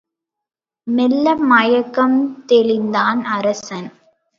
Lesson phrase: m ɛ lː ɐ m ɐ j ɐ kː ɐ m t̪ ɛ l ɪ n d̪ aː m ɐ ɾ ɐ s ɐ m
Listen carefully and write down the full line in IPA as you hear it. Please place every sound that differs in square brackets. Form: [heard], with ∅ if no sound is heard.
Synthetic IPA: m ɛ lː ɐ m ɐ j ɐ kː ɐ m t̪ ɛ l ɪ n d̪ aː [n] ɐ ɾ ɐ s ɐ [n]